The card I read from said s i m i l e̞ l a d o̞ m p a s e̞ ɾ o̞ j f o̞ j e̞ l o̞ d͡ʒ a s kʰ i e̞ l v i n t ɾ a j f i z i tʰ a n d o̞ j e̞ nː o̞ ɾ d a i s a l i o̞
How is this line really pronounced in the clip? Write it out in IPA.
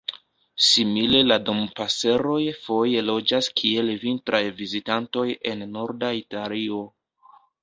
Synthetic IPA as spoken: s i m i l e̞ l a d o̞ m p a s e̞ ɾ o̞ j f o̞ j e̞ l o̞ d͡ʒ a s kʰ i e̞ l v i n t ɾ a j v i z i t a n t o̞ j e̞ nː o̞ ɾ d a i t a l i o̞

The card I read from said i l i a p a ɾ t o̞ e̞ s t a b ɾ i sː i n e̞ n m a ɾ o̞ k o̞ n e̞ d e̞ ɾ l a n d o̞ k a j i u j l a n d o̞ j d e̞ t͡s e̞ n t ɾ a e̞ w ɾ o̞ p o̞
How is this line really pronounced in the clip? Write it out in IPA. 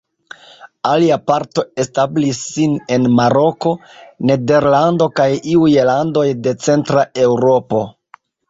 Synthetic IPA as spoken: a l i a p a ɾ t o̞ e̞ s t a b l i sː i n e̞ n m a ɾ o̞ k o̞ n e̞ d e̞ ɾ l a n d o̞ k a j i u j l a n d o̞ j d e̞ t͡s e̞ n t ɾ a e̞ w ɾ o̞ p o̞

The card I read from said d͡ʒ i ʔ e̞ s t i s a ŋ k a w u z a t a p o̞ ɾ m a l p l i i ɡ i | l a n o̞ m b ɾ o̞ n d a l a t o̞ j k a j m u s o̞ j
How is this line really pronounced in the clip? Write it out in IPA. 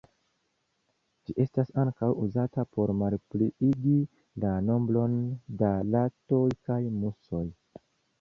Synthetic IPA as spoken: d͡ʒ i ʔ e̞ s t a s a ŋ k a w u z a t a p o̞ ɾ m a l p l i i ɡ i | l a n o̞ m b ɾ o̞ n d a l a t o̞ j k a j m u s o̞ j

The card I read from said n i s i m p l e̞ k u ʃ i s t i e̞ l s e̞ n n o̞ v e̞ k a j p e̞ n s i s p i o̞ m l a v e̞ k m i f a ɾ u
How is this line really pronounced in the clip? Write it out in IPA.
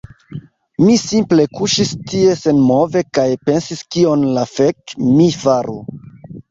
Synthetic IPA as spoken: m i s i m p l e̞ k u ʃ i s t i e̞ s e̞ n m o̞ v e̞ k a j p e̞ n s i s k i o̞ n l a f e̞ k m i f a ɾ u

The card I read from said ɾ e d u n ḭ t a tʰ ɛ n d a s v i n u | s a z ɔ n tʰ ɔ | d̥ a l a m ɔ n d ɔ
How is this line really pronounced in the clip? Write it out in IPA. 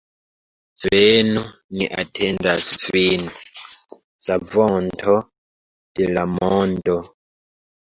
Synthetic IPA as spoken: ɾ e n u n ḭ ʔ a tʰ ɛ n d a s v i n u | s a v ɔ n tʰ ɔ | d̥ e l a m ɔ n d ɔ

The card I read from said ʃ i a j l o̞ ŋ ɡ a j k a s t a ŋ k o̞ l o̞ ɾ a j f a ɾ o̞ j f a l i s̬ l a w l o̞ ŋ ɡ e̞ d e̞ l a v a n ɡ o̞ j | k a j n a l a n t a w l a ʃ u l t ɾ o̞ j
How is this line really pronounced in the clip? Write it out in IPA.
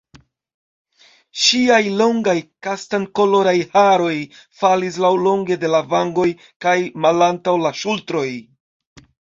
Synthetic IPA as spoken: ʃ i a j l o̞ ŋ ɡ a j k a s t a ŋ k o̞ l o̞ ɾ a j h a ɾ o̞ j f a l i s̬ l a w l o̞ ŋ ɡ e̞ d e̞ l a v a ŋ ɡ o̞ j | k a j m a l a n t a w l a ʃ u l t ɾ o̞ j

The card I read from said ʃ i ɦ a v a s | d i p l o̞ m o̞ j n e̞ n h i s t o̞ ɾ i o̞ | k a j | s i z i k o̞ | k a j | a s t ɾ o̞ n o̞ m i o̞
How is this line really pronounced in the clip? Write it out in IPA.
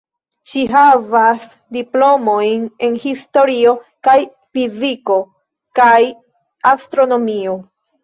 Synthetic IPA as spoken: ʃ i ɦ a v a s | d i p l o̞ m o̞ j n e̞ n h i s t o̞ ɾ i o̞ | k a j | f i z i k o̞ | k a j | a s t ɾ o̞ n o̞ m i o̞

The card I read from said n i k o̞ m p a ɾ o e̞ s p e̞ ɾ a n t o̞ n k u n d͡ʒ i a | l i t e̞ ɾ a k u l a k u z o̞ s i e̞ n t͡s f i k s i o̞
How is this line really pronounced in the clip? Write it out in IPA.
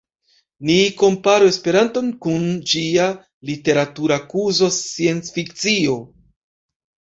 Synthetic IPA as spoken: n i k o̞ m p a ɾ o e̞ s p e̞ ɾ a n t o̞ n k u n d͡ʒ i a | l i t e̞ ɾ a t u ɾ a k u z o̞ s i e̞ n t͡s f i k t͡s i o̞

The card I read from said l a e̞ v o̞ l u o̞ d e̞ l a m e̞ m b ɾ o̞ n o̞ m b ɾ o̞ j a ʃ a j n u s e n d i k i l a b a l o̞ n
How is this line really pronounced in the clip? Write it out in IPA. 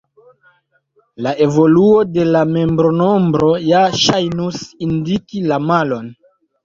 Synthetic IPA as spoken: l a e̞ v o̞ l u o̞ d e̞ l a m e̞ m b ɾ o̞ n o̞ m b ɾ o̞ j a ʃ a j n u s i n d i k i l a m a l o̞ n

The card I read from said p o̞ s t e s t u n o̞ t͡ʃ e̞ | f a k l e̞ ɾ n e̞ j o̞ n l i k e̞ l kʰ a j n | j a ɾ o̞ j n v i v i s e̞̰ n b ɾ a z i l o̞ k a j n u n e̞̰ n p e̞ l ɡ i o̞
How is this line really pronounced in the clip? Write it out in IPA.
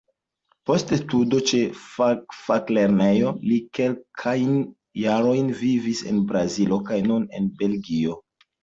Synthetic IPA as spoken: p o̞ s t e s t u d o̞ t͡ʃ e̞ | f a k l e̞ ɾ n e̞ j o̞ l i k e̞ l kʰ a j n | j a ɾ o̞ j n v i v i s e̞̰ n b ɾ a z i l o̞ k a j n u n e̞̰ n b e̞ l ɡ i o̞

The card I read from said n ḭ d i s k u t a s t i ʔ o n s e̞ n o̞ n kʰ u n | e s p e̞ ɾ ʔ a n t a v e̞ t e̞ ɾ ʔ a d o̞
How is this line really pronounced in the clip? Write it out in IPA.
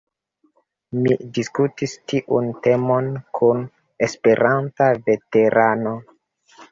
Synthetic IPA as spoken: m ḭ d i s k u t i s t i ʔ u n t e̞ m o̞ n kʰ u n | e s p e̞ ɾ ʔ a n t a v e̞ t e̞ ɾ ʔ a n o̞

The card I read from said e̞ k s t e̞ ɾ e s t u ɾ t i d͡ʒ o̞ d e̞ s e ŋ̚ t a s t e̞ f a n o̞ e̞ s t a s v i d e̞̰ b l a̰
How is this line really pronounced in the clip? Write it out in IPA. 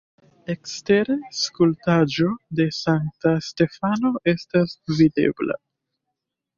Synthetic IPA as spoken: e̞ k s t e̞ ɾ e s k u l t a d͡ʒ o̞ d e̞ s a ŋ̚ t a s t e̞ f a n o̞ e̞ s t a s v i d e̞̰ b l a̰

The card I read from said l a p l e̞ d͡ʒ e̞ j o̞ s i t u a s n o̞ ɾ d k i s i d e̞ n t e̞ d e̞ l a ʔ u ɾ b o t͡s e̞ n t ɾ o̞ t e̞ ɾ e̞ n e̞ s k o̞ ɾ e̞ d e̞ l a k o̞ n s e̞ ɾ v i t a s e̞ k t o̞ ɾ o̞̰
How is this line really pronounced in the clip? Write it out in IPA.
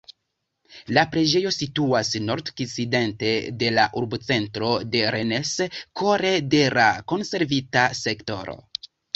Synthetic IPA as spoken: l a p ɾ e̞ d͡ʒ e̞ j o̞ s i t u a s n o̞ ɾ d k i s i d e̞ n t e̞ d e̞ l a ʔ u ɾ b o t͡s e̞ n t ɾ o̞ d e̞ ɾ e̞ n e̞ s k o̞ ɾ e̞ d e̞ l a k o̞ n s e̞ ɾ v i t a s e̞ k t o̞ ɾ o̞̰

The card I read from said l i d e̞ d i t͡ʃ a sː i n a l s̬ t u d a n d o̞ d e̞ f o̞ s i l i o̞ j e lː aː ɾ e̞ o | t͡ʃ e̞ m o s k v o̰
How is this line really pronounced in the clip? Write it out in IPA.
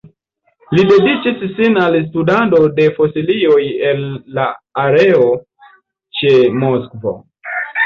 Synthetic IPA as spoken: l i d e̞ d i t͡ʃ i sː i n a l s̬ t u d a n d o̞ d e̞ f o̞ s i l i o̞ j e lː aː ɾ e̞ o | t͡ʃ e̞ m o s k v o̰

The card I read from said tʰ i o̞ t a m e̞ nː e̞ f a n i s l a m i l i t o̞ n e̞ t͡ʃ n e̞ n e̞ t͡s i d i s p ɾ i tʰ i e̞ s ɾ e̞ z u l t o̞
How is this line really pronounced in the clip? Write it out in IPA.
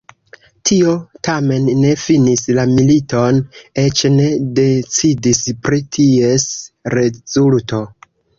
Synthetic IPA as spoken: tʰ i o̞ t a m e̞ nː e̞ f i n i s l a m i l i t o̞ n e̞ t͡ʃ n e̞ d e̞ t͡s i d i s p ɾ i tʰ i e̞ s ɾ e̞ z u l t o̞

